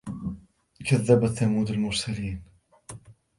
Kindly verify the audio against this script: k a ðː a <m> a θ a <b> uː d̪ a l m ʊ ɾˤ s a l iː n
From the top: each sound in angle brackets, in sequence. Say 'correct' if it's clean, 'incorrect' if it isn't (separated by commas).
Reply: incorrect, incorrect